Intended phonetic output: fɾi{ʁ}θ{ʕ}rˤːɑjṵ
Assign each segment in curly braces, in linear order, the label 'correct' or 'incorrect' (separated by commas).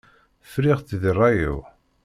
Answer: correct, incorrect